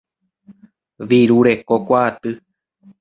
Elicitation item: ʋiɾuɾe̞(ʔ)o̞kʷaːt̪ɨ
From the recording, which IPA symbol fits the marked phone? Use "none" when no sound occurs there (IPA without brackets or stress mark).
k